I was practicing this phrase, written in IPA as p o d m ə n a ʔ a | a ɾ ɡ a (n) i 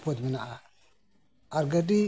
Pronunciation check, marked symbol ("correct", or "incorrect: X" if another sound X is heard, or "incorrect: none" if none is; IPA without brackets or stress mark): incorrect: d